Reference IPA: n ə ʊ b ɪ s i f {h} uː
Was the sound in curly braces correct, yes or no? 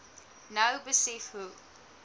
yes